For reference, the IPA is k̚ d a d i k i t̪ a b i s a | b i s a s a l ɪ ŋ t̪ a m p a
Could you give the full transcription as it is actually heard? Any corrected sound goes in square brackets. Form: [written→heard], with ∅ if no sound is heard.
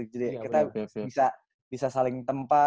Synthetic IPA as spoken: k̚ [d→d͡ʒ] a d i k i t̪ a b i s a | b i s a s a l ɪ ŋ t̪ [a→ə] m p a

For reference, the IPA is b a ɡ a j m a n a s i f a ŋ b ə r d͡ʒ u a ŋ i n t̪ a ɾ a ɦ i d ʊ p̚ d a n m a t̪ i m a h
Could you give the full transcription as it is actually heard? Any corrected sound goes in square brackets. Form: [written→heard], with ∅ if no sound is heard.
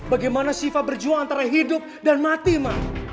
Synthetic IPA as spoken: b a ɡ a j m a n a s i f a [ŋ→∅] b ə r d͡ʒ u a ŋ [i→a] n t̪ a ɾ a ɦ i d ʊ p̚ d a n m a t̪ i m a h

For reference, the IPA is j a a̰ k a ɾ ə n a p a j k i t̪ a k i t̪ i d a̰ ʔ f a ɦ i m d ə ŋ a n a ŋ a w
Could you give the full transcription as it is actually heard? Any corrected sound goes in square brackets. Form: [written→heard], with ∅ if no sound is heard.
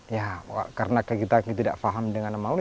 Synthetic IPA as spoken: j a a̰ k a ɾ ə n a [p→k] a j k i t̪ a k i t̪ i d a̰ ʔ f a ɦ [i→a] m d ə ŋ a n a [ŋ→m] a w

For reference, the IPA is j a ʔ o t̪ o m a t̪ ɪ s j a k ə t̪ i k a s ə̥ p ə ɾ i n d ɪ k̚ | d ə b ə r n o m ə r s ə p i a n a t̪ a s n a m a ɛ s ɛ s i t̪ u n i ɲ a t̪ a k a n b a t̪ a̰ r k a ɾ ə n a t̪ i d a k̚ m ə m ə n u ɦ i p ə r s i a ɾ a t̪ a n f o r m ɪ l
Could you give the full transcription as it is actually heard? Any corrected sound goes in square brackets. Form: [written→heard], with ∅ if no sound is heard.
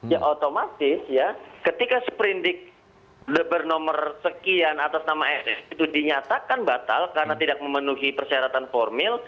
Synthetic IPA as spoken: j a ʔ o t̪ o m a t̪ ɪ s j a k ə t̪ i k a s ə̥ p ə ɾ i n d ɪ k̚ | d ə b ə r n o m ə r s ə [p→k] i a n a t̪ a s n a m a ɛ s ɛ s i t̪ u [n→d] i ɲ a t̪ a k a n b a t̪ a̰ [r→l] k a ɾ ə n a t̪ i d a k̚ m ə m ə n u ɦ i p ə r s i a ɾ a t̪ a n f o r m ɪ l

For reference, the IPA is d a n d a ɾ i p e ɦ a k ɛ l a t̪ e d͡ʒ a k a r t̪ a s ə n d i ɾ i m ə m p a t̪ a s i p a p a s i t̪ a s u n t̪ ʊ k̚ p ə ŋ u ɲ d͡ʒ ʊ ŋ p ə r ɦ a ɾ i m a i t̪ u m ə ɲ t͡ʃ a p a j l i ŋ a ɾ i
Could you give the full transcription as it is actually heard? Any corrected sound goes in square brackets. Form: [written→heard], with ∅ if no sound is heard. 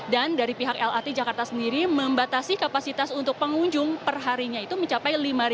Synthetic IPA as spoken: d a n d a ɾ i p [e→i] ɦ a k ɛ l a t̪ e d͡ʒ a k a r t̪ a s ə n d i ɾ i m ə m [p→b] a t̪ a s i [p→k] a p a s i t̪ a s u n t̪ ʊ k̚ p ə ŋ u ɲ d͡ʒ ʊ ŋ p ə r ɦ a ɾ i [m→ɲ] a i t̪ u m ə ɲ t͡ʃ a p a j l i [ŋ→m] a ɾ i

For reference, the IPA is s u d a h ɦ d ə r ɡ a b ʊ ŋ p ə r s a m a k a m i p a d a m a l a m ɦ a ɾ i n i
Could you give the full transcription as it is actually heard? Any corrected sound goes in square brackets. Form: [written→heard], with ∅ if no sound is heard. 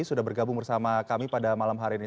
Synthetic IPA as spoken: s u d a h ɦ [d→b] ə r ɡ a b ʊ ŋ [p→b] ə r s a m a k a m i p a d a m a l a m ɦ a ɾ i n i

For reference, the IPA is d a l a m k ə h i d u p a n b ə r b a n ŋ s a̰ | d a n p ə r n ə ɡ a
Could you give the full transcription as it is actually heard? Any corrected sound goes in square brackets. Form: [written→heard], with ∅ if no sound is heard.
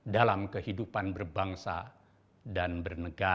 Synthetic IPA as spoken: d a l a m k ə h i d u p a n b ə r b a [n→∅] ŋ s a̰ | d a n [p→b] ə r n ə ɡ a

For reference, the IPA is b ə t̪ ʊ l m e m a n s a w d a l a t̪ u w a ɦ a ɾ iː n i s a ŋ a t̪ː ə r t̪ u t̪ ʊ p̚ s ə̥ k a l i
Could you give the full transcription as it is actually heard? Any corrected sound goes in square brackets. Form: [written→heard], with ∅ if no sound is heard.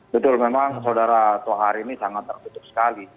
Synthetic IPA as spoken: b ə t̪ ʊ l m e m a [n→ŋ] s a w d a [l→ɾ] a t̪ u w a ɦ a ɾ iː n i s a ŋ a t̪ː ə r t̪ u t̪ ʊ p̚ s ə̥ k a l i

